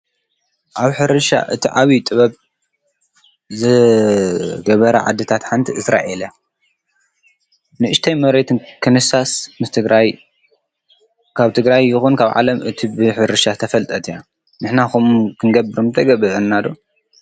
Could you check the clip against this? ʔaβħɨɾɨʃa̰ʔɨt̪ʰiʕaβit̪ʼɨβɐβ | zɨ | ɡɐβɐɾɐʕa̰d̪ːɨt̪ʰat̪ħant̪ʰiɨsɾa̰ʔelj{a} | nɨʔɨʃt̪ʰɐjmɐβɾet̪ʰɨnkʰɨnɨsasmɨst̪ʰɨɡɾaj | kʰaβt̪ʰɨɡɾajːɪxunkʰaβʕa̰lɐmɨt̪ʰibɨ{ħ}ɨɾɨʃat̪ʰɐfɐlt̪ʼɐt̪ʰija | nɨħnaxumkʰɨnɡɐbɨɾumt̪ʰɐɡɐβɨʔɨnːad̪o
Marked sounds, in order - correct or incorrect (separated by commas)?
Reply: correct, correct